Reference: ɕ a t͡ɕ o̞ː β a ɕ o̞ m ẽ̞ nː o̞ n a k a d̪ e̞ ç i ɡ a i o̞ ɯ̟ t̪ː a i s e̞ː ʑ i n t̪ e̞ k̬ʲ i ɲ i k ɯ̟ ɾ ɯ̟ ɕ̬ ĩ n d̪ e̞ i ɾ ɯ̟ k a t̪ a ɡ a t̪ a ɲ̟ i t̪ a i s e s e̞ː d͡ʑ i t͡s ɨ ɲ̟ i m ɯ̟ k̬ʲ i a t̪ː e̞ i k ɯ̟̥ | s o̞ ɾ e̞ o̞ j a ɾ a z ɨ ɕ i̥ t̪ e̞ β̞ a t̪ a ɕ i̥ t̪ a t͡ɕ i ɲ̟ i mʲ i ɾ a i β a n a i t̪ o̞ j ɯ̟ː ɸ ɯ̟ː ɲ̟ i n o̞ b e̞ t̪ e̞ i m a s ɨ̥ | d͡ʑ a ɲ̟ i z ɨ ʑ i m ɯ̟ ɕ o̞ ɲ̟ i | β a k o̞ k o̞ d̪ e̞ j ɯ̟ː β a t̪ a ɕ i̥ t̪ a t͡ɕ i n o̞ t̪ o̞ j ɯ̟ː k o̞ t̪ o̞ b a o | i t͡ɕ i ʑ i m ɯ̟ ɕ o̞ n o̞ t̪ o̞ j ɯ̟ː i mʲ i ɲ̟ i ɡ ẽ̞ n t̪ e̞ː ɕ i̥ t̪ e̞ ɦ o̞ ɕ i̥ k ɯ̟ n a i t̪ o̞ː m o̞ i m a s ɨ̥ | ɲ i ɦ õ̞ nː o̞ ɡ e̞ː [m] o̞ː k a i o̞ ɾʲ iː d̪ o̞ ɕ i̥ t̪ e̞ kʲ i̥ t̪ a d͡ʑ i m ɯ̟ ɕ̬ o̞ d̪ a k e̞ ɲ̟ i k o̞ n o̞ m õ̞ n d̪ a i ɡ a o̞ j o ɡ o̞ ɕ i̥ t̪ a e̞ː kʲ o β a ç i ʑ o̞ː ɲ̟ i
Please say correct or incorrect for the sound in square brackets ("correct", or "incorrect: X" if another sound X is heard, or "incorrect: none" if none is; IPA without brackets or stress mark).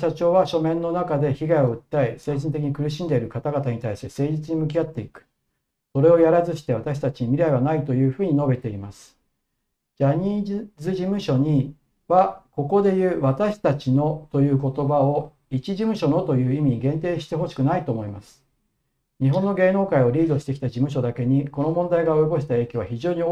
incorrect: n